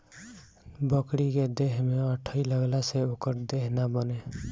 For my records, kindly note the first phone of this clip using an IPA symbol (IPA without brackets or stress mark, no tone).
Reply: b